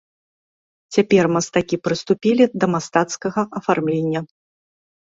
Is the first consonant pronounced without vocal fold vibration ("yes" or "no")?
yes